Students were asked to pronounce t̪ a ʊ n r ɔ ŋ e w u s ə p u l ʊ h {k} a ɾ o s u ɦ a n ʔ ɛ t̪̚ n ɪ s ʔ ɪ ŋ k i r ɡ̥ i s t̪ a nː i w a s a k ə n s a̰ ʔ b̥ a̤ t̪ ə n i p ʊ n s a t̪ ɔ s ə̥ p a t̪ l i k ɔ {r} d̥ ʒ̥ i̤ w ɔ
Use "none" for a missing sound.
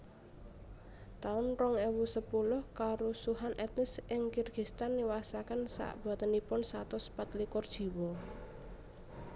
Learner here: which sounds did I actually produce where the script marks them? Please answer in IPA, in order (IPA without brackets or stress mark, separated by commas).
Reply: k, r